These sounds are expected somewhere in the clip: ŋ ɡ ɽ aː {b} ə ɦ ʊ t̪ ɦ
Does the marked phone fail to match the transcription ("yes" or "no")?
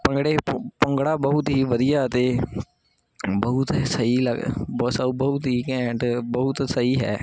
no